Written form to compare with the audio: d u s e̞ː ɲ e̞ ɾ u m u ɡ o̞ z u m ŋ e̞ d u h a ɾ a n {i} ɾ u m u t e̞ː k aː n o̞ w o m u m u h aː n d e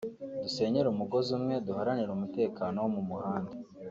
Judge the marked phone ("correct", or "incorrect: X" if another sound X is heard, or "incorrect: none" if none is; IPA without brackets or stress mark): correct